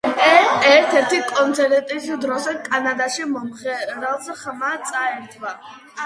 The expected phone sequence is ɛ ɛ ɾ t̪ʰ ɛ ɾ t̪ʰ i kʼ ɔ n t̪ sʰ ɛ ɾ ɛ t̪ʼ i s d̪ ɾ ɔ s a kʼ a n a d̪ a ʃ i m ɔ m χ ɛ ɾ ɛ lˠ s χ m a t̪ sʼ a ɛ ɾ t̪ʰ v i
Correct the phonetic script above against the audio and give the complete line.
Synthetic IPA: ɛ ɛ ɾ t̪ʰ ɛ ɾ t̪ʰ i kʼ ɔ n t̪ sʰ ɛ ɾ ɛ t̪ʼ i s d̪ ɾ ɔ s ɛ kʼ a n a d̪ a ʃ i m ɔ m χ ɛ ɾ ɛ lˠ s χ m a t̪ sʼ a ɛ ɾ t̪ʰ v a